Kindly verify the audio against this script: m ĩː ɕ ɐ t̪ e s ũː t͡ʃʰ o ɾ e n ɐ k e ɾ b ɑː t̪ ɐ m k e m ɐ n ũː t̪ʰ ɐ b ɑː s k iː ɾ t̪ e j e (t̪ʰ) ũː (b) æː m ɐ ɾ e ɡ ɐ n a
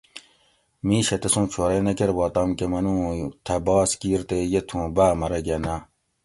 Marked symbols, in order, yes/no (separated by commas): yes, yes